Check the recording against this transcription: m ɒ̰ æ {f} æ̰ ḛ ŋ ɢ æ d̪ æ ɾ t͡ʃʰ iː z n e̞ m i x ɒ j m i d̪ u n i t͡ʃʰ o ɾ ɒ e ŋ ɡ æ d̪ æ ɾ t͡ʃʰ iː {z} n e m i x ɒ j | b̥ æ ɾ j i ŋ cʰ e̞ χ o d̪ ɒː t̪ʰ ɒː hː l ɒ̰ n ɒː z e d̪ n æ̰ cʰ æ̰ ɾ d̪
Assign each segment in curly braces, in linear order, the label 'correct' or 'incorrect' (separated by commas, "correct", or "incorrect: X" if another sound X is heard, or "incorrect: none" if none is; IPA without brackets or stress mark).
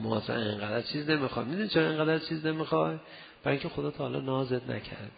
incorrect: s, correct